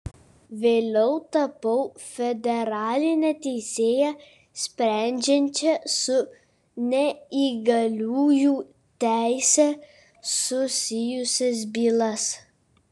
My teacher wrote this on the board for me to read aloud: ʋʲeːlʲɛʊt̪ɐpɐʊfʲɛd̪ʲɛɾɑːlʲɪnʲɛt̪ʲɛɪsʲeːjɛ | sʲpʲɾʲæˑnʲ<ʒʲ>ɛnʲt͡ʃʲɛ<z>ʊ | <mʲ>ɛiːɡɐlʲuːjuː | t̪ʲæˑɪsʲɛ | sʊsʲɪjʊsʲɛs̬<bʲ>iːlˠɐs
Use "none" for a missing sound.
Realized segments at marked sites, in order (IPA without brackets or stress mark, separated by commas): d͡ʒʲ, s, nʲ, bʲ